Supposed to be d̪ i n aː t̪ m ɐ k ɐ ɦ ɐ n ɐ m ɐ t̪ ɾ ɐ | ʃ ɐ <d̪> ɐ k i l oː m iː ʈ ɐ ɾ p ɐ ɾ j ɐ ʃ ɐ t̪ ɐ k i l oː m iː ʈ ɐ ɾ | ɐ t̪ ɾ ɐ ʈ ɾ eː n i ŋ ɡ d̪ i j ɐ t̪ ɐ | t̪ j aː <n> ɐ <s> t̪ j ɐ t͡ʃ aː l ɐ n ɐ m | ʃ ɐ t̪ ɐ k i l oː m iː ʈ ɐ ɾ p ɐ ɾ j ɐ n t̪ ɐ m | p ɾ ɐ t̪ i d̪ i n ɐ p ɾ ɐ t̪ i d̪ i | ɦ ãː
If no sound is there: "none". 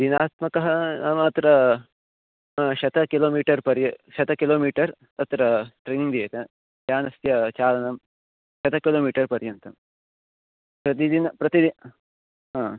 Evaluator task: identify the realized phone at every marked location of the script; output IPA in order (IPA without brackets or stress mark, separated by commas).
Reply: t̪, n, s